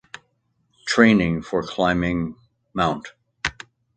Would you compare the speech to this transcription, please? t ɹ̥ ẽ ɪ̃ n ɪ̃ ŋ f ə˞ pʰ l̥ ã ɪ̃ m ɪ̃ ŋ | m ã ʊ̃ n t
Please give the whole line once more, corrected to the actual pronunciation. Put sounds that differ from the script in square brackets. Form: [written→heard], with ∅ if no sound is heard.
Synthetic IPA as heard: [t→tʰ] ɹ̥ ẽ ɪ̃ n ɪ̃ ŋ f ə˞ [pʰ→kʰ] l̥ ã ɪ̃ m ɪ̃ ŋ | m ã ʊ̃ n t